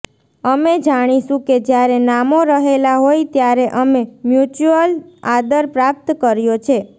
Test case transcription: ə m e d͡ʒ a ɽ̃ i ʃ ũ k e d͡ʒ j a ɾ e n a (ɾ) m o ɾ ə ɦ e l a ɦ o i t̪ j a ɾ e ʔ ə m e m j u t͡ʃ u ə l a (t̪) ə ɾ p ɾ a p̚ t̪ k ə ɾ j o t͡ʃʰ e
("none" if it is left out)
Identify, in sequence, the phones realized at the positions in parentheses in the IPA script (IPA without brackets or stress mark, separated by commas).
none, d̪